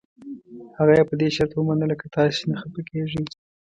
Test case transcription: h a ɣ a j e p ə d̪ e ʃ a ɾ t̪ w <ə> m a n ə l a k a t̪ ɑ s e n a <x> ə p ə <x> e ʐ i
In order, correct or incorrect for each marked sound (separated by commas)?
correct, correct, incorrect